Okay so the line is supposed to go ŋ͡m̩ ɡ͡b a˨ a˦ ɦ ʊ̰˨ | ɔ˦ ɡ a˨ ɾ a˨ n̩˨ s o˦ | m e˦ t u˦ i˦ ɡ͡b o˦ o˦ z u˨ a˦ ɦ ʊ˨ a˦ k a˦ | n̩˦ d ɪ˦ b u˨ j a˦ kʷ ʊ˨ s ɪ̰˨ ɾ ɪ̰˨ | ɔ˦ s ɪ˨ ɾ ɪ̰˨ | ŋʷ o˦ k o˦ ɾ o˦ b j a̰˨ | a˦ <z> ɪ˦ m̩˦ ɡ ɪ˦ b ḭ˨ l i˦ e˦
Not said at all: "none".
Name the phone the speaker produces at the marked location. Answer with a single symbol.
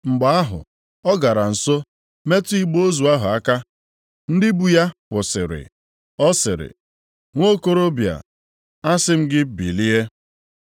s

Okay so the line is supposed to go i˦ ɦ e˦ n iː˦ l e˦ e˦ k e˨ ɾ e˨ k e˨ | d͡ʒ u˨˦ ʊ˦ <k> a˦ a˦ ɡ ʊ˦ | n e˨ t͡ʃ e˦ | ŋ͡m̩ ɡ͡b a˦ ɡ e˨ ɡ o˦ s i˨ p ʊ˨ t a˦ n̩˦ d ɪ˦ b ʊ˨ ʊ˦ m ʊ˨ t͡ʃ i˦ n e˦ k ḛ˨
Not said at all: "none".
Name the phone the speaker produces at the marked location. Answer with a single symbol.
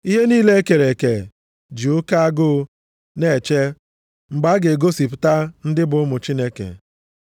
k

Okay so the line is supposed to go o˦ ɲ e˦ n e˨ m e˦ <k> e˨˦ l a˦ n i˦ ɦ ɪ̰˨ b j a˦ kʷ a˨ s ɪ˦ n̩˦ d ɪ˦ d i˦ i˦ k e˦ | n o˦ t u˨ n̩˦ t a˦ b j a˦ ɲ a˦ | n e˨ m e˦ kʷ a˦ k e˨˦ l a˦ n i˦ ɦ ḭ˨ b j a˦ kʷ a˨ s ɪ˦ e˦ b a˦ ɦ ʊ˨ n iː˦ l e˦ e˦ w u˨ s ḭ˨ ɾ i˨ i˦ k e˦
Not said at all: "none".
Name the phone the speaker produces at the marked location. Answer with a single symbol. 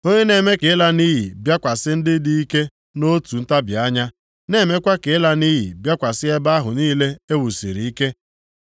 k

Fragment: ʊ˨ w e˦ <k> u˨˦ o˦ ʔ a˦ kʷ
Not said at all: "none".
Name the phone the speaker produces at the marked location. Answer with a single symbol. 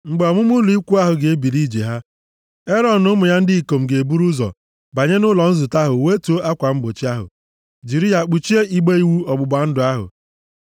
t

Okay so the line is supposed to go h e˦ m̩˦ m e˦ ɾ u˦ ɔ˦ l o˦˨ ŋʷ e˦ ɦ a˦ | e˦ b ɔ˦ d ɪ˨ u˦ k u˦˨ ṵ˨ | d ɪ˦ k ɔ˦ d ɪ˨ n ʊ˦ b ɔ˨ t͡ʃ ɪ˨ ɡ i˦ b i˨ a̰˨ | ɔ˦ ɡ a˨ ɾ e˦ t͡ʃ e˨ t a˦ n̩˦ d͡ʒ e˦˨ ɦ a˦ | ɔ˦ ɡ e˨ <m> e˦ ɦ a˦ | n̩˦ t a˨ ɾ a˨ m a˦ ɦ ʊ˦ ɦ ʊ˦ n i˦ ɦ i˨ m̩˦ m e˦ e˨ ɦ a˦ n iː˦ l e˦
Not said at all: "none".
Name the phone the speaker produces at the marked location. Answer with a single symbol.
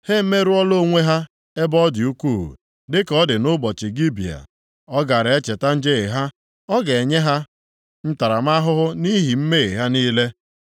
ɲ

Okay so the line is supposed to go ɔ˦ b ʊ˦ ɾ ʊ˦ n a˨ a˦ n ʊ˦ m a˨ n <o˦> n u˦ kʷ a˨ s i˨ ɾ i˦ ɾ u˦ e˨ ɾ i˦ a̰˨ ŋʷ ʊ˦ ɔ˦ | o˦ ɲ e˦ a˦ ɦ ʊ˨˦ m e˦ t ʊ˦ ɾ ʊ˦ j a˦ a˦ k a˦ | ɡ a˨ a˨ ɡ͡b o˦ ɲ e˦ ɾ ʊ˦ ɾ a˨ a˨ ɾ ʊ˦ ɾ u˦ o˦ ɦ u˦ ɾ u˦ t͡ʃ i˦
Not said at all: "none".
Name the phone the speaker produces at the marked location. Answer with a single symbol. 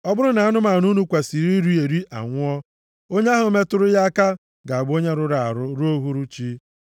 u˦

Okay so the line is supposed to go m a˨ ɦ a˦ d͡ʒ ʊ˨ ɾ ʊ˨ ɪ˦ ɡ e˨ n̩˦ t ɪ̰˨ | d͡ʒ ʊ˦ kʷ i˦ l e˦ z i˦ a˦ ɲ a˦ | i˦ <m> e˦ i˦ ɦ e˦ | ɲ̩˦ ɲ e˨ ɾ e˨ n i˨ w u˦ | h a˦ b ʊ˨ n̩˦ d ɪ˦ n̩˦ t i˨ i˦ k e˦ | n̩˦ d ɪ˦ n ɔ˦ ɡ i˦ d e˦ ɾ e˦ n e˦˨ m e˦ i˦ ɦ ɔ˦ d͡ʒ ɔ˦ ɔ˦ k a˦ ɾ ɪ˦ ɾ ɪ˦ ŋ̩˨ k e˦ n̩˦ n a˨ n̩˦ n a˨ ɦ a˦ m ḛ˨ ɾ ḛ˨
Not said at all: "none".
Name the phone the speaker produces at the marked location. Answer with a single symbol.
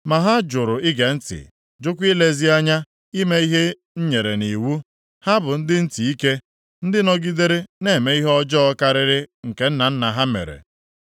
m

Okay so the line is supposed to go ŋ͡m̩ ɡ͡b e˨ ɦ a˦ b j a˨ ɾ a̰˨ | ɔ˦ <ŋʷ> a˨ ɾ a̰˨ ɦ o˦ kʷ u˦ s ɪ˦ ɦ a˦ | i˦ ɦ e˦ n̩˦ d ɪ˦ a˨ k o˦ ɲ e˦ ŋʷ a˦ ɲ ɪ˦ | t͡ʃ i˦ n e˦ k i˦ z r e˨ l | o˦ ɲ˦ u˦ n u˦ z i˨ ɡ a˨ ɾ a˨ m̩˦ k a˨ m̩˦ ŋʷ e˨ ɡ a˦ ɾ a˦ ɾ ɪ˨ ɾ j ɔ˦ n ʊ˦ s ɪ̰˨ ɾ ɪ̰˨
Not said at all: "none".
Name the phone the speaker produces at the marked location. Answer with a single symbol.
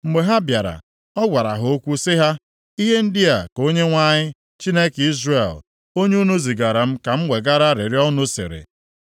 ɡʷ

